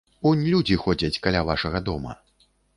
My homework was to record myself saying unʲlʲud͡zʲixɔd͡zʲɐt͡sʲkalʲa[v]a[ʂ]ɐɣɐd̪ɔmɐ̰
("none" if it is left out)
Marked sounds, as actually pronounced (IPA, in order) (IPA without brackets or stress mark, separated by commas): v, ʂ